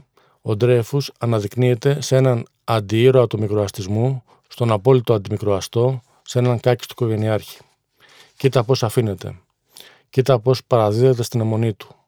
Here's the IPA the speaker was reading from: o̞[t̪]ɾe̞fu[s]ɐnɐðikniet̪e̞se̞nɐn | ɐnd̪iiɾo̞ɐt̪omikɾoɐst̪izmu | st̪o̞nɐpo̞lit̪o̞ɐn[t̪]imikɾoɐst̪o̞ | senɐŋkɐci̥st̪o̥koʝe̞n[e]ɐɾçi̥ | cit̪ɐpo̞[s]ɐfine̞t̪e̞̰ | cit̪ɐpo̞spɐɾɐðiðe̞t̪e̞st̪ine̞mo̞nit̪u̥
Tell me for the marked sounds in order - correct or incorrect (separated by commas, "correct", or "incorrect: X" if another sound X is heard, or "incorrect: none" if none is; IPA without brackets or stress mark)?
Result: incorrect: d̪, correct, incorrect: d̪, incorrect: i, correct